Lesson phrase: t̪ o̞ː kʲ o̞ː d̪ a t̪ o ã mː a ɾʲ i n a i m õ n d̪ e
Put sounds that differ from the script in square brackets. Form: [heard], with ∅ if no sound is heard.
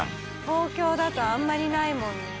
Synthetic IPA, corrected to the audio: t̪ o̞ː kʲ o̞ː d̪ a t̪ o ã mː a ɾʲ i n a i m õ n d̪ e